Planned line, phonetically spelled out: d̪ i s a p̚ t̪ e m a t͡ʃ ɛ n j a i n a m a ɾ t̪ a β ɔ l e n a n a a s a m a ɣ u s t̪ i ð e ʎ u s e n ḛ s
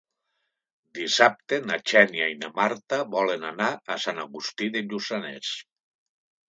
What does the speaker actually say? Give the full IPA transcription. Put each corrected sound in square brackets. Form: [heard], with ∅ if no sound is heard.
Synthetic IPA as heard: d̪ i s a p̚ t̪ e [n] a t͡ʃ ɛ n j a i n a m a ɾ t̪ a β ɔ l e n a n a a s a [n] a ɣ u s t̪ i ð e ʎ u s [a] n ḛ s